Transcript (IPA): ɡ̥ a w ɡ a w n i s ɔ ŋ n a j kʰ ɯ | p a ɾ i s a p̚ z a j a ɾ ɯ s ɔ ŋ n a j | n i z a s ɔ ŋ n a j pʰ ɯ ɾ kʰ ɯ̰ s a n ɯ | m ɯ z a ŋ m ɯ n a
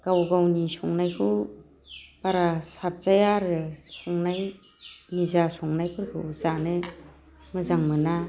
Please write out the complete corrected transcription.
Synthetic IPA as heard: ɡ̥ a w ɡ a w n i s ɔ ŋ n a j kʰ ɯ | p a ɾ a s a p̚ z a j a ɾ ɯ s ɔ ŋ n a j | n i z a s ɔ ŋ n a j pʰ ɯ ɾ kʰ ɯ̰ z a n ɯ | m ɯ z a ŋ m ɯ n a

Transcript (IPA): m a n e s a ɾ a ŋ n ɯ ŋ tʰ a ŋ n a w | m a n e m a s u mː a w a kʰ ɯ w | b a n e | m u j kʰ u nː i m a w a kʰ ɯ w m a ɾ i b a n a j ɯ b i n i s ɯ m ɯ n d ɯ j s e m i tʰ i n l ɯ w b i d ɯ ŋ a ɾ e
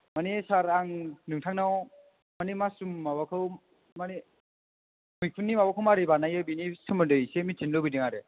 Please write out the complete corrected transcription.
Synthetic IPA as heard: m a n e s a ɾ a ŋ n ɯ ŋ tʰ a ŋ n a w | m a n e m a s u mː a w a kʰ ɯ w | m a n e | m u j kʰ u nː i m a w a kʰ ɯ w m a ɾ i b a n a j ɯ b i n i s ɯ m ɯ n d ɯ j s e m i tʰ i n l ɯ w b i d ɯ ŋ a ɾ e

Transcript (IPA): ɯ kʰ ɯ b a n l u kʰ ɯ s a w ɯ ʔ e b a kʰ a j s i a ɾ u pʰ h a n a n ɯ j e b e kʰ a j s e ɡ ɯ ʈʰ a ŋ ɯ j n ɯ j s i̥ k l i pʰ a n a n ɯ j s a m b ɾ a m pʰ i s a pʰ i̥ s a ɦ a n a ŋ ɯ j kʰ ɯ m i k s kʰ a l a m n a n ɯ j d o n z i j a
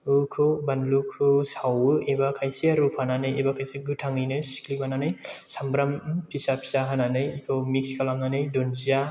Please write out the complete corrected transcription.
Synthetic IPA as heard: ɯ kʰ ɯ b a n l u kʰ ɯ s a w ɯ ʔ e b a kʰ a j s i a ɾ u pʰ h a n a n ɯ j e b a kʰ a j s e ɡ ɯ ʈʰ a ŋ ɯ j n ɯ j s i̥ k l i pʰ a n a n ɯ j s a m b ɾ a m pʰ i s a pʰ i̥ s a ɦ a n a n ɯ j kʰ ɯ m i k s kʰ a l a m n a n ɯ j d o n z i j a

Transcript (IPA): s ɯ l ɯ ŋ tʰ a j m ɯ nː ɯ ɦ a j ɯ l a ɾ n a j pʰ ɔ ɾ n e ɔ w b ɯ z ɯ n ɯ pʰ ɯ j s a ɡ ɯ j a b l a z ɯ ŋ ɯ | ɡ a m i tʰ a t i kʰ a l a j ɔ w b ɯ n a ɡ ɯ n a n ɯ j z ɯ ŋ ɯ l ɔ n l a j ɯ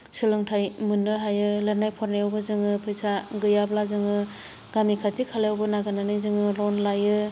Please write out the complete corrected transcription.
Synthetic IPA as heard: s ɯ l ɯ ŋ tʰ a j m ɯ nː ɯ ɦ a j ɯ l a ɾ n a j pʰ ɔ ɾ n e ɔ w b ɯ z ɯ ŋ ɯ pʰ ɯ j s a ɡ ɯ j a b l a z ɯ ŋ ɯ | ɡ a m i kʰ a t i kʰ a l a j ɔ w b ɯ n a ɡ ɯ n a n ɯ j z ɯ ŋ ɯ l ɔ n l a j ɯ

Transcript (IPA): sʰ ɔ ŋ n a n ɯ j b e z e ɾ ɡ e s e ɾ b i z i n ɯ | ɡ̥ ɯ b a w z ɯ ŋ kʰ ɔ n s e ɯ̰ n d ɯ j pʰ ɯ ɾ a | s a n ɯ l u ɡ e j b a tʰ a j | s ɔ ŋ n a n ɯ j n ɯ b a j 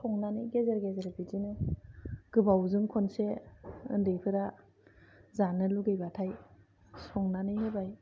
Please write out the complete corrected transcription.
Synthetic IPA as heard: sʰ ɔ ŋ n a n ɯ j ɡ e z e ɾ ɡ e z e ɾ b i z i n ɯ | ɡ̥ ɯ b a w z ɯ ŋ kʰ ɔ n s e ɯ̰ n d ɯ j pʰ ɯ ɾ a | z a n ɯ l u ɡ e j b a tʰ a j | s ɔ ŋ n a n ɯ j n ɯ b a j

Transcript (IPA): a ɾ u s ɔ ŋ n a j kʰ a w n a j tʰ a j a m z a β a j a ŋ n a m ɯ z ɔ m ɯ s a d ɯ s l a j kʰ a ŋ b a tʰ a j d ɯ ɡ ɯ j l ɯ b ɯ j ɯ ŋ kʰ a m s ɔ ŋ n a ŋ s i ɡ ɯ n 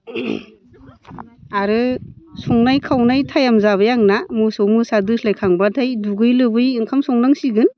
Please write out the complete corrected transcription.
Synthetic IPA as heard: a ɾ ɯ s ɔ ŋ n a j kʰ a w n a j tʰ a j a m z a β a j a ŋ n a m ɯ s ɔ m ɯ s a d ɯ s l a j kʰ a ŋ b a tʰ a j d u ɡ ɯ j l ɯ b ɯ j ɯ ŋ kʰ a m s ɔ ŋ n a ŋ s i ɡ ɯ n

